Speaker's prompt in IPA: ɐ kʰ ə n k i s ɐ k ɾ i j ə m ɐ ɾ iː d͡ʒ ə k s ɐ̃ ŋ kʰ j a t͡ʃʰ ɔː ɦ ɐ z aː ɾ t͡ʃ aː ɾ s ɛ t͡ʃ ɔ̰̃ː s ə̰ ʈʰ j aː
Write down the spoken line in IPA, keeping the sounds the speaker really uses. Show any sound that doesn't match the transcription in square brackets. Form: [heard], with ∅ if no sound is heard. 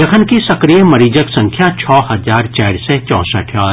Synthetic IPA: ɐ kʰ ə n k i s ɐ k ɾ i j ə m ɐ ɾ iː d͡ʒ ə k s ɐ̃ ŋ kʰ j a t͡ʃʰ ɔː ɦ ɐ z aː ɾ t͡ʃ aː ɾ s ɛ t͡ʃ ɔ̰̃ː s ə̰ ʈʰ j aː